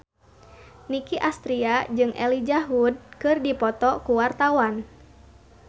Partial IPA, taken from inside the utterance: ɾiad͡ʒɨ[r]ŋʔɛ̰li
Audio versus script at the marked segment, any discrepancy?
yes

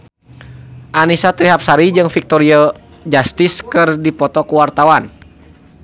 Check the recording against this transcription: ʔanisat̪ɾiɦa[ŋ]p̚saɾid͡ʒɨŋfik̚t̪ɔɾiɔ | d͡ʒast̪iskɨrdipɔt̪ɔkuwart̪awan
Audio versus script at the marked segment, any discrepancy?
yes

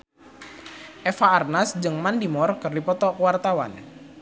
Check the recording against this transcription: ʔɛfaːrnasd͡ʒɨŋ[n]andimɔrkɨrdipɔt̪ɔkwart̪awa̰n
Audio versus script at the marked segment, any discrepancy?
yes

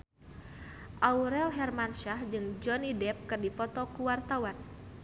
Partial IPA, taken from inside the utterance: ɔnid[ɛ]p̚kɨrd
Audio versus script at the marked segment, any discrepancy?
no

